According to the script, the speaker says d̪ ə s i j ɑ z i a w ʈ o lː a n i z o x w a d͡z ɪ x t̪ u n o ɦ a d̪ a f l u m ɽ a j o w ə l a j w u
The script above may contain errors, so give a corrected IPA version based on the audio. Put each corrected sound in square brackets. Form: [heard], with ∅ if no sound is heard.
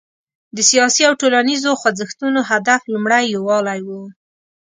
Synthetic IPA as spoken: d̪ ə s i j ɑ [s] i a w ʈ o [l] a n i z o x w a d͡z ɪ x t̪ u n o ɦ a d̪ a f l u m ɽ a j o w [ɑ] l a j w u